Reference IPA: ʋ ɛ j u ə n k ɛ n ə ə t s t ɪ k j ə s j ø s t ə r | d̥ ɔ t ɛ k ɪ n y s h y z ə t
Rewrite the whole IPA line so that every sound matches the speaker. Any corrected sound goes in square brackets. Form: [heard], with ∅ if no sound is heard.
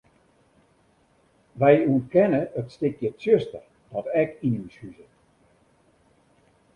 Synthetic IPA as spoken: ʋ ɛ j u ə n k ɛ n ə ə t s t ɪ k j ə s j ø s t ə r | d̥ ɔ t ɛ k [i] n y s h y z ə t